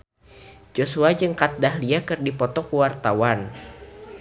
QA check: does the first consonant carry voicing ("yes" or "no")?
yes